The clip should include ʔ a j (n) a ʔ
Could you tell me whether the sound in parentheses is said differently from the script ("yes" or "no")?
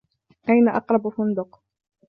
no